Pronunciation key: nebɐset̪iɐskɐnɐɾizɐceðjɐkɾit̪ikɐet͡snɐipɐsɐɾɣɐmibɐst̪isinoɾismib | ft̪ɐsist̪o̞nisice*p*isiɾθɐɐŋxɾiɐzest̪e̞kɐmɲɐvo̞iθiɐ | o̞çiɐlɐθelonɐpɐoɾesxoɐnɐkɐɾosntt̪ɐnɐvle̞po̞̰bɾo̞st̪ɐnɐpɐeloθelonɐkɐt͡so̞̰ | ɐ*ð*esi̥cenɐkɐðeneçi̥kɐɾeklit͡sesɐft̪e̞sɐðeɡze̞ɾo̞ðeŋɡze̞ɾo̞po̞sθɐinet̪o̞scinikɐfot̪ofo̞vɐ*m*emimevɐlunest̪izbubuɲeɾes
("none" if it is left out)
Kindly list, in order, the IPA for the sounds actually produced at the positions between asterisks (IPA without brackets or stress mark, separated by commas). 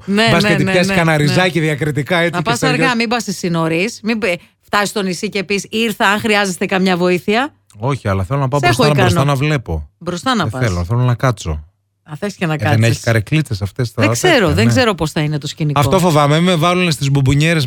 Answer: p, θ, m